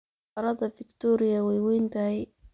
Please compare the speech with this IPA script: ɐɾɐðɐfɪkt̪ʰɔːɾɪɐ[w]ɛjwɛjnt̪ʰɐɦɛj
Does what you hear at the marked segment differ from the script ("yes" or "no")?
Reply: no